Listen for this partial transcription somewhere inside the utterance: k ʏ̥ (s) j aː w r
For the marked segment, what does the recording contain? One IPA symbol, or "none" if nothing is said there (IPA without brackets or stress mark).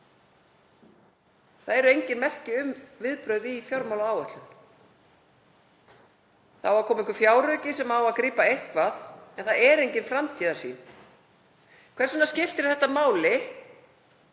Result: f